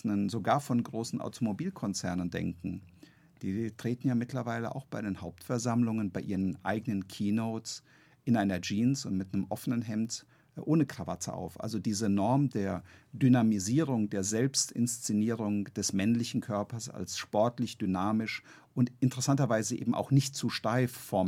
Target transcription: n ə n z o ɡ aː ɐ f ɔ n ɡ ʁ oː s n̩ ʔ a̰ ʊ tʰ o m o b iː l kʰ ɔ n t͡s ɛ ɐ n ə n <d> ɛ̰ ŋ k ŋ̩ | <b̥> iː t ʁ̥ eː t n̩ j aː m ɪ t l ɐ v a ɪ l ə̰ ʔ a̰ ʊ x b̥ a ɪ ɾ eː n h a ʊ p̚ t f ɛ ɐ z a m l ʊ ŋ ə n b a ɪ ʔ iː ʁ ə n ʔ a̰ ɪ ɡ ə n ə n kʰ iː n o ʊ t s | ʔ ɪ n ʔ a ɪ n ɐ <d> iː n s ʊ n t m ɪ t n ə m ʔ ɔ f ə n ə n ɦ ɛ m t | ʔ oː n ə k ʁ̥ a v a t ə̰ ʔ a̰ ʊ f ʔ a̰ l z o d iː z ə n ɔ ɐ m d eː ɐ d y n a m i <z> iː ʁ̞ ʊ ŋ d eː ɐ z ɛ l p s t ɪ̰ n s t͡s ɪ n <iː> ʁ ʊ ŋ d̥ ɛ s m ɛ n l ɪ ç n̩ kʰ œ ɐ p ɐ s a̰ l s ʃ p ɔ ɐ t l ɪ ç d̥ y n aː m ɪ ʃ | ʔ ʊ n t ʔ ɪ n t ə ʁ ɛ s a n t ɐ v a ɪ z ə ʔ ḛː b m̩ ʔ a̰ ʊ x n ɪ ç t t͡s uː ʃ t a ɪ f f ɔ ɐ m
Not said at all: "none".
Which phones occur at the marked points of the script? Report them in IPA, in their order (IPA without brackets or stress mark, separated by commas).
d, d̥, d͡ʒ, z, iː